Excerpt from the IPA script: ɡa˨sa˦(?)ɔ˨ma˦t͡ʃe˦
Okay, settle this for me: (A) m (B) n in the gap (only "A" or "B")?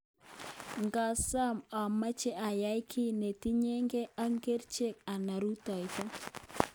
A